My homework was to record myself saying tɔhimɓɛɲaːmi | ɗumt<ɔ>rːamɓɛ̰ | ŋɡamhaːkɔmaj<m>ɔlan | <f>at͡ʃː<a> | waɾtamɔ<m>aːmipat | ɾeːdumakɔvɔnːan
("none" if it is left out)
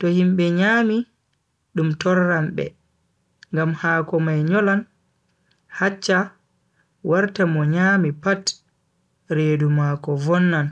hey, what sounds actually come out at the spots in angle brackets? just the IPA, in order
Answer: ɔ, ɲ, h, a, ɲ

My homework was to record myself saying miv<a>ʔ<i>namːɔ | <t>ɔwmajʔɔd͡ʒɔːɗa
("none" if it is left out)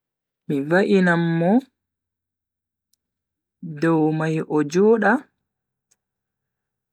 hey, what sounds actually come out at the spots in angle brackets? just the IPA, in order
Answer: a, i, d

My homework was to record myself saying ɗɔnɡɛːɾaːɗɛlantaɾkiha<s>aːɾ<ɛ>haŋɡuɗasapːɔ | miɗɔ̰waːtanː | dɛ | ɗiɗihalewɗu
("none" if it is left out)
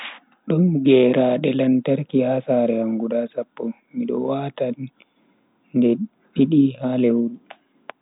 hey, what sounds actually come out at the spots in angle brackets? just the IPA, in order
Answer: s, ɛ

